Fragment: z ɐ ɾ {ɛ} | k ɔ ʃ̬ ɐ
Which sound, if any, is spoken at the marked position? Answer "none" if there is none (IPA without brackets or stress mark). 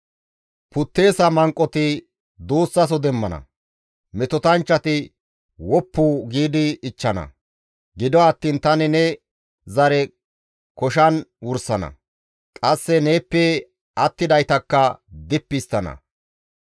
ɛ